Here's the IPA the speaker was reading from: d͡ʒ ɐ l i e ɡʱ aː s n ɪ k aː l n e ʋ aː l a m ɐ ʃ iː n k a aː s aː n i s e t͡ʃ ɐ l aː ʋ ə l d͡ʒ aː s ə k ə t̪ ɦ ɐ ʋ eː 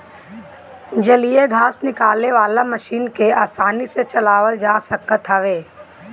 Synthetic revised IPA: d͡ʒ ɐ l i e ɡʱ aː s n ɪ k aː l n e ʋ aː l a m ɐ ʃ iː n k e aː s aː n i s e t͡ʃ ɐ l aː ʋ ə l d͡ʒ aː s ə k ə t̪ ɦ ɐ ʋ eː